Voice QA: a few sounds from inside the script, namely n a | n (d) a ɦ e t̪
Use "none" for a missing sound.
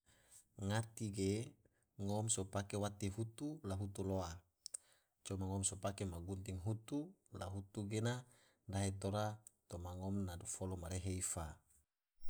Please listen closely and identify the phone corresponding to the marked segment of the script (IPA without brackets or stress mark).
d